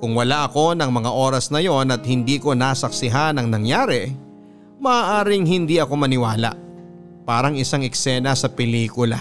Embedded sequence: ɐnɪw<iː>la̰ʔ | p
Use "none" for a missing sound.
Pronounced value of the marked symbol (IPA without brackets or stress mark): aː